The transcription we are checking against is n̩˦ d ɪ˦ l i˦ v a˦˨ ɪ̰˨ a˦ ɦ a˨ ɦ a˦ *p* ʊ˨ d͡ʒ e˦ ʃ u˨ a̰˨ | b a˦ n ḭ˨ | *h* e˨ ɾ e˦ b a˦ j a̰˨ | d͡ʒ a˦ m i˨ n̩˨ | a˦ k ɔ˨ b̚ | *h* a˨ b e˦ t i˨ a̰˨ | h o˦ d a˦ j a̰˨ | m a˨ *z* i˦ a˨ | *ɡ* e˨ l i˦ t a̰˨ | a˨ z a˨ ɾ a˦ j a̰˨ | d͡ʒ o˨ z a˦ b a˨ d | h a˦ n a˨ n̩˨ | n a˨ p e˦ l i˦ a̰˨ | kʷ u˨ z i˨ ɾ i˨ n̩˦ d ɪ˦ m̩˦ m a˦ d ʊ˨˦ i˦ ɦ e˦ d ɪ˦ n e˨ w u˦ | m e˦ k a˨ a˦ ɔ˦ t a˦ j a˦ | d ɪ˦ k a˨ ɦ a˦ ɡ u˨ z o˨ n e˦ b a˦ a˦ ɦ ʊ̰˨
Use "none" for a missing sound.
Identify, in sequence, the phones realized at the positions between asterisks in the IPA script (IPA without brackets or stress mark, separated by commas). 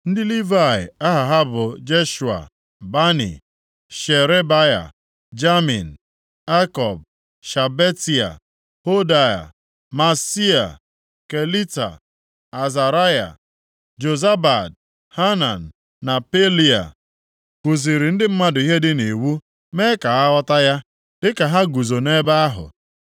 b, ʃ, ʃ, s, k